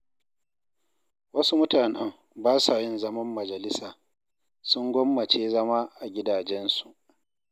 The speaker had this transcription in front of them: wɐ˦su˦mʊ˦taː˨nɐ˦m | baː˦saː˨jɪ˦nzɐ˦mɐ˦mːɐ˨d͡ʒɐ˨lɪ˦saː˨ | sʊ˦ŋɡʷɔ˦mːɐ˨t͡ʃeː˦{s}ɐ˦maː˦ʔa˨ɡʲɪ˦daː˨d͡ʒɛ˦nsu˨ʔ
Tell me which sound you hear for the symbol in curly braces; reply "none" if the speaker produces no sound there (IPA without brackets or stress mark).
z